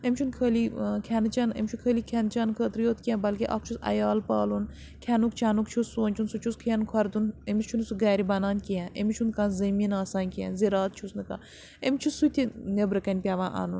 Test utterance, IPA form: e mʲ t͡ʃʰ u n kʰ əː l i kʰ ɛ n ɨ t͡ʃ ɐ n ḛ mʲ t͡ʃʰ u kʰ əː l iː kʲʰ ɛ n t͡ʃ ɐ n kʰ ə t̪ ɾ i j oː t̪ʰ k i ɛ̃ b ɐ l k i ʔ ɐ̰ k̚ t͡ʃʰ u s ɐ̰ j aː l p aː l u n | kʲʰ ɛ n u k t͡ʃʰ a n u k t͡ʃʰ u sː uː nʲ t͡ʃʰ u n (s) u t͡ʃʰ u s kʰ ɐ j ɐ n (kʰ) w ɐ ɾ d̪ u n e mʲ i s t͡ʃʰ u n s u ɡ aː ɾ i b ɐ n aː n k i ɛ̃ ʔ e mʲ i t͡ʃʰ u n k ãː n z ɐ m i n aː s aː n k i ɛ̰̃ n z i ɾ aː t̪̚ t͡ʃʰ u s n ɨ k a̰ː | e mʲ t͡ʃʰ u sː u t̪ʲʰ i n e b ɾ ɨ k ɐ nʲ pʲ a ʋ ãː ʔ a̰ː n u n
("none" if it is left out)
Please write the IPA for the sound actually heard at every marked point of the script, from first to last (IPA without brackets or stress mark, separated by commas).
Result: s, kʰ